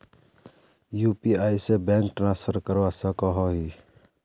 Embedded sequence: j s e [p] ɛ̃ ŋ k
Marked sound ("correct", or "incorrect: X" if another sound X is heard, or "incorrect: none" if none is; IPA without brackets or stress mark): incorrect: b